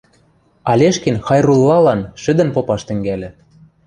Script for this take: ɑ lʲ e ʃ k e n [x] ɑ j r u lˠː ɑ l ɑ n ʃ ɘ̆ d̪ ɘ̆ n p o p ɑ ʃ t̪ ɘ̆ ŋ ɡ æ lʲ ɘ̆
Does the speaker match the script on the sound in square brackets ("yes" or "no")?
yes